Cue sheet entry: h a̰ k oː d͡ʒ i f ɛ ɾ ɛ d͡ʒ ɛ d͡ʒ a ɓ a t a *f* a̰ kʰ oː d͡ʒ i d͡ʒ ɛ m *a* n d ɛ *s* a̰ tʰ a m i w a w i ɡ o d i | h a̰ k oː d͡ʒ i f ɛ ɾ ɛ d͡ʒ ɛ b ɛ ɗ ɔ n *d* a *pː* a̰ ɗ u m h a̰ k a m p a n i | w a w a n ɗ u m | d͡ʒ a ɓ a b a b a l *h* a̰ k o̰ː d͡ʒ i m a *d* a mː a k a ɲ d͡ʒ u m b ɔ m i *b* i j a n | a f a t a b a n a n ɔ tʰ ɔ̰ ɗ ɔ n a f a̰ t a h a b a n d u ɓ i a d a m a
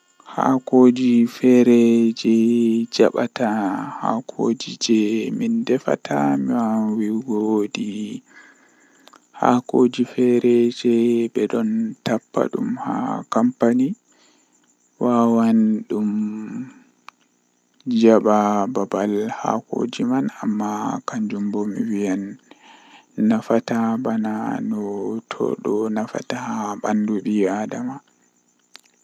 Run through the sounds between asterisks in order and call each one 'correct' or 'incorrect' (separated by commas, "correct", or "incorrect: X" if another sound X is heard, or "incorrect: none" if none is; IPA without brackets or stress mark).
incorrect: h, incorrect: i, incorrect: f, incorrect: t, correct, correct, incorrect: n, incorrect: w